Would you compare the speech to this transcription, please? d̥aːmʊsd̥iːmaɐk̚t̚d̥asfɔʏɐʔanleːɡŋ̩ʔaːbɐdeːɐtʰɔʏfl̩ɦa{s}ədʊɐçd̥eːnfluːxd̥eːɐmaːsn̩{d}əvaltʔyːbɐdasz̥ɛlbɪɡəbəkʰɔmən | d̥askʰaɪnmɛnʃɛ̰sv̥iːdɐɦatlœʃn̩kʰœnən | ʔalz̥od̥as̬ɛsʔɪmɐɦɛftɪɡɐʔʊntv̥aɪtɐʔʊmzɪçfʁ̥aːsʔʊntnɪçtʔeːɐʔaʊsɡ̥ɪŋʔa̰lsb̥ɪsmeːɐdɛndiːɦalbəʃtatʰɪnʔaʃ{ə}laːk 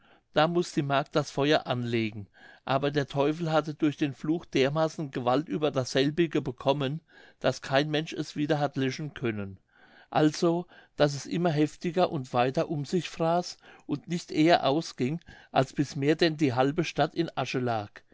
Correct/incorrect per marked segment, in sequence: incorrect: t, incorrect: ɡ, correct

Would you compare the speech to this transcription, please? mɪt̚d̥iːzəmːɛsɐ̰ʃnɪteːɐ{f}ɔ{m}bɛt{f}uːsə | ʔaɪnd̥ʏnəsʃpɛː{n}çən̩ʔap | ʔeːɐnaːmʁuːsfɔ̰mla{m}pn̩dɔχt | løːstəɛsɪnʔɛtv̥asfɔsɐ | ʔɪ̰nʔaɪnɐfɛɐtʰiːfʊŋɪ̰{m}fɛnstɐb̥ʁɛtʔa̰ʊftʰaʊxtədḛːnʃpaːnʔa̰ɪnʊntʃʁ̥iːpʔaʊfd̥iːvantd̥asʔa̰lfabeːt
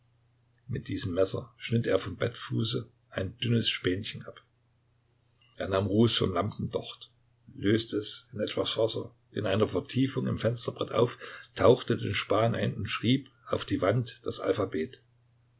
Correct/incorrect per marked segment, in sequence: correct, correct, correct, correct, correct, correct

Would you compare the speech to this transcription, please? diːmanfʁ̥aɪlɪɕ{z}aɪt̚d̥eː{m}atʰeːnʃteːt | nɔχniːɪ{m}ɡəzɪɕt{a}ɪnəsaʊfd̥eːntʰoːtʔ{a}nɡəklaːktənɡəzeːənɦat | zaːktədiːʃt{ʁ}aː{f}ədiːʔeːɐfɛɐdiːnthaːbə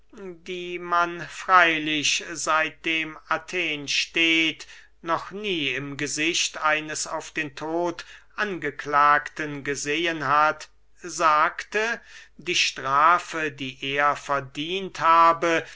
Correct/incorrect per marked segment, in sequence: correct, correct, correct, correct, correct, correct, correct

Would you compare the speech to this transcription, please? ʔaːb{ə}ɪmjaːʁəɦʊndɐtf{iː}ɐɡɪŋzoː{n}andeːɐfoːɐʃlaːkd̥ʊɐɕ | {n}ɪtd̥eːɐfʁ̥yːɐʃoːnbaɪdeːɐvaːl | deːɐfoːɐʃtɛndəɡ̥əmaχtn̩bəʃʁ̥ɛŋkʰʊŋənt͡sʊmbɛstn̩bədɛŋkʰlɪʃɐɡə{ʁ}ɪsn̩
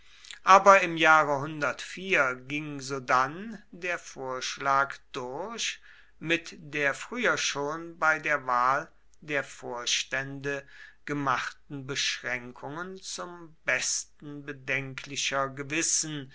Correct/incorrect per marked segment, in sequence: incorrect: ɐ, correct, incorrect: d, incorrect: m, incorrect: v

